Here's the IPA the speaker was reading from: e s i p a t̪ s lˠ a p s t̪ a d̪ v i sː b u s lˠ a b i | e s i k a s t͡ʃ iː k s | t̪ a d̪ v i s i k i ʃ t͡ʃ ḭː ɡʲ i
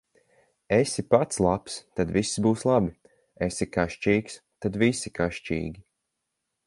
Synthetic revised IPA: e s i p a t̪ s lˠ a p s t̪ a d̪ v i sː b uː s lˠ a b i | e s i k a ʃ t͡ʃ iː k s | t̪ a d̪ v i s i k a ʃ t͡ʃ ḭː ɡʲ i

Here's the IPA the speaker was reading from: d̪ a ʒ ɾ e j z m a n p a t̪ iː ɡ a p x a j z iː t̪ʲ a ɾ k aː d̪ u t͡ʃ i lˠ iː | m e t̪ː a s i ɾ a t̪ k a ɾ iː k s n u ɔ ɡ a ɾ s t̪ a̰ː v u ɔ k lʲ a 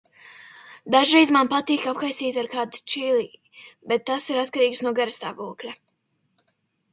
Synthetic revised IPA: d̪ a ʒ ɾ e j z m a n p a t̪ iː k a p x a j s iː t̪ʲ a ɾ k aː d̪ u t͡ʃ i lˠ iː | b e t̪ː a s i ɾ a t̪ k a ɾ iː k s n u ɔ ɡ a ɾ s t̪ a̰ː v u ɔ k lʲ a

